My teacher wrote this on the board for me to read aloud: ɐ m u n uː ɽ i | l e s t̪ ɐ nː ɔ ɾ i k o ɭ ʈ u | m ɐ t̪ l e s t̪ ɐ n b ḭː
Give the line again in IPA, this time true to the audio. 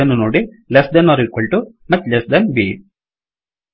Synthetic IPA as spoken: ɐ n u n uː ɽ i | l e s d̪ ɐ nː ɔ ɾ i k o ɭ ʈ u | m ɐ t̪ l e s d̪ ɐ n b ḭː